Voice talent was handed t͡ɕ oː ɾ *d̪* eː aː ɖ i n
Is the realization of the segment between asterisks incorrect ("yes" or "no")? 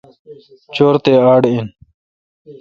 yes